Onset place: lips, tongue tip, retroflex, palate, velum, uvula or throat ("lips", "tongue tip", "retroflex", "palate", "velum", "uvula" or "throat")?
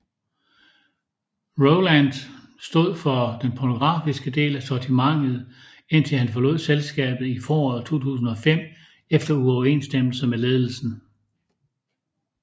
uvula